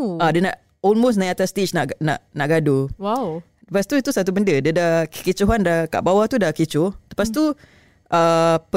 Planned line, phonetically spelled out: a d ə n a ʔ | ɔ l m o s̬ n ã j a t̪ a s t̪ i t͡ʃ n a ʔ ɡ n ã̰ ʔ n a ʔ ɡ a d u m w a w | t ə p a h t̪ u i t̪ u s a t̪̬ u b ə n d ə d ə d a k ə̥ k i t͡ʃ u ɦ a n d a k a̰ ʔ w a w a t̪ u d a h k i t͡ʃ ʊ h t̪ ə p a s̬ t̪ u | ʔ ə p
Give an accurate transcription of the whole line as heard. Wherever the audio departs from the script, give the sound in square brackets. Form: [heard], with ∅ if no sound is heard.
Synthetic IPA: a d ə n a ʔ | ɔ l m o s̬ n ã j a t̪ a s t̪ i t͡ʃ n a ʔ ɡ n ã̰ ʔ n a ʔ ɡ a d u [∅] w a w | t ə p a [s] t̪ u i t̪ u s a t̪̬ u b ə n d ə d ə d a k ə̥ k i t͡ʃ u ɦ a n d a k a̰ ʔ [b] a w a t̪ u d a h k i t͡ʃ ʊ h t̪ ə p a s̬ t̪ u | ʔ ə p